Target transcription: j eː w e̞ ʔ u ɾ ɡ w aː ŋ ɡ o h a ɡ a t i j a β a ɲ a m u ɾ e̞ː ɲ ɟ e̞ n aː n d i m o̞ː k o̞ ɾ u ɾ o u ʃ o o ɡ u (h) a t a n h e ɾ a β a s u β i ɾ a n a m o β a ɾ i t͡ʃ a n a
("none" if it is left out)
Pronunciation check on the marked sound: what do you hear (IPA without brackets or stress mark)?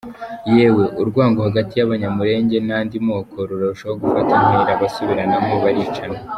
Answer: f